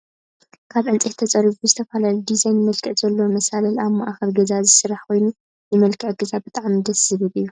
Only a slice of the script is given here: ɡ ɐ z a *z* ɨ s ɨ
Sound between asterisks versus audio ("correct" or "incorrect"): correct